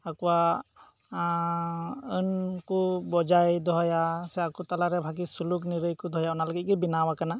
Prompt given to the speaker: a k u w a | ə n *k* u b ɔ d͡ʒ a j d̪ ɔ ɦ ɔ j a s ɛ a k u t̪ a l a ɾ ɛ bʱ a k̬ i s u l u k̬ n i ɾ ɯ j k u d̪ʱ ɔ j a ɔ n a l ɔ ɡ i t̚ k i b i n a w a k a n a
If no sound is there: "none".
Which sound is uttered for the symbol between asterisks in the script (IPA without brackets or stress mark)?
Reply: k